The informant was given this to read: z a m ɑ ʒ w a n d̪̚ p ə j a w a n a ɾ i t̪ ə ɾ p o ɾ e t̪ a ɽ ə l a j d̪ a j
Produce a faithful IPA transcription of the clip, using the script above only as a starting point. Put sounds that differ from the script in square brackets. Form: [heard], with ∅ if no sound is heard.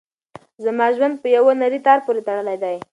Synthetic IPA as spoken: z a m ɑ ʒ w a n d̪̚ p ə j a w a n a ɾ i t̪ [ɑ] ɾ p o ɾ e t̪ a ɽ ə l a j d̪ a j

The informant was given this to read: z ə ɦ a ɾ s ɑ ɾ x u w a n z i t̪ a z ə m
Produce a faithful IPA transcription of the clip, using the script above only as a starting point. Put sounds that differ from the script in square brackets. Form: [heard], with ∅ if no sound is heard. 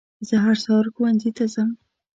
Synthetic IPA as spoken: z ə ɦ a ɾ s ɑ ɾ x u w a n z i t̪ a z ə m

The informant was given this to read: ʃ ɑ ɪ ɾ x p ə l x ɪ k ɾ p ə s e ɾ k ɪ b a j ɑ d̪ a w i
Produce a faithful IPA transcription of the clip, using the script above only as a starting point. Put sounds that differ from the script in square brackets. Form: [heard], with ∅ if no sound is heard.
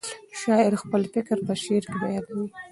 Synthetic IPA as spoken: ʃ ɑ ɪ ɾ x p ə l [f] ɪ k ɾ p ə [ʃ] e ɾ k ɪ b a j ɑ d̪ a w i

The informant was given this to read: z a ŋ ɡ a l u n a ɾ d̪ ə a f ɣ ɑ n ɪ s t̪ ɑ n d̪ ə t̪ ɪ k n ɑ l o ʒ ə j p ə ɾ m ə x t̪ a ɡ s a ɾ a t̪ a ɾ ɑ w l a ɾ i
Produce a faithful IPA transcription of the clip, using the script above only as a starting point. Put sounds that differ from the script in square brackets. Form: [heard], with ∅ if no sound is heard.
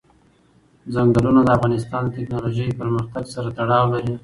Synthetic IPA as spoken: z a ŋ ɡ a l u n a [∅] d̪ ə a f ɣ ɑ n ɪ s t̪ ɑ n d̪ ə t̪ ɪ k n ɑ l o ʒ ə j p ə ɾ m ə x t̪ a ɡ s a ɾ a t̪ a [ɽ] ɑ w l a ɾ i

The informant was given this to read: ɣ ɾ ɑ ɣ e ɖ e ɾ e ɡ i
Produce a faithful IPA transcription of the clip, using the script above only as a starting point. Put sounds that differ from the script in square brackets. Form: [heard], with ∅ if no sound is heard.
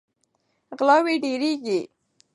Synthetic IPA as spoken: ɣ [l] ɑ [w] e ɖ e ɾ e ɡ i

